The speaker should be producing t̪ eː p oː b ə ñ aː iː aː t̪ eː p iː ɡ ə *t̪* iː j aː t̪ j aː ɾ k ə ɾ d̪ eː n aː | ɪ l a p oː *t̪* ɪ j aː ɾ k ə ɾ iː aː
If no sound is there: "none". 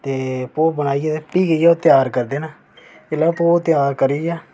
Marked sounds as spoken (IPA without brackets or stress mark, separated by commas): none, t̪